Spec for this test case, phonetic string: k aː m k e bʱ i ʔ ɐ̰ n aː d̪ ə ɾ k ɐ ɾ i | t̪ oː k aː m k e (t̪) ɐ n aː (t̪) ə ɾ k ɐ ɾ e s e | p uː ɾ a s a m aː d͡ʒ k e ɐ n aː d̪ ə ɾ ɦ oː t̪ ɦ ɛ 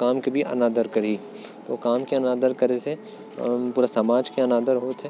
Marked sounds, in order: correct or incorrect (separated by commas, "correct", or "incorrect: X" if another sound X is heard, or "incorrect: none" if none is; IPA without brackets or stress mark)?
incorrect: none, incorrect: d̪